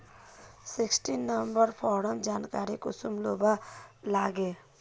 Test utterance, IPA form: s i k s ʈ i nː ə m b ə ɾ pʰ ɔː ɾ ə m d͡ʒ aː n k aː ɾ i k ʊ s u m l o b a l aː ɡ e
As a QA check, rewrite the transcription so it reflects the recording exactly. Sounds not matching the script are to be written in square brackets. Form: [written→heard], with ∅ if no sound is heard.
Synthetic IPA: s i k s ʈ i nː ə m b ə ɾ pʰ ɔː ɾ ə m d͡ʒ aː n k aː ɾ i k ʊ s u m l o b a l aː ɡ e